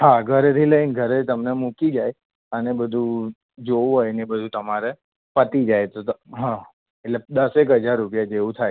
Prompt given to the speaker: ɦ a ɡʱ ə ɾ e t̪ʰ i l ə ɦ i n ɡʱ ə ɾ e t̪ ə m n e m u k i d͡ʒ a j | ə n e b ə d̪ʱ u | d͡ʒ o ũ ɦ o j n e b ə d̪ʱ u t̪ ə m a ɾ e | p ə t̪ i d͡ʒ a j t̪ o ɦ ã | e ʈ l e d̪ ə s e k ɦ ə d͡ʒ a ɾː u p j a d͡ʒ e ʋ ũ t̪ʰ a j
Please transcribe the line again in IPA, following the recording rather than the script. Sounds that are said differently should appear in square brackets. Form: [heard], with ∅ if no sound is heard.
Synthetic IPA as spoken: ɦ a ɡʱ ə ɾ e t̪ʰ i l ə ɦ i n ɡʱ ə ɾ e t̪ ə m n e m u k i d͡ʒ a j | ə n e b ə d̪ʱ u | d͡ʒ o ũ ɦ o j n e b ə d̪ʱ u t̪ ə m a ɾ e | p ə t̪ i d͡ʒ a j t̪ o ɦ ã | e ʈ l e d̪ ə s e k ɦ ə d͡ʒ a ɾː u p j a d͡ʒ e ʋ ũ t̪ʰ a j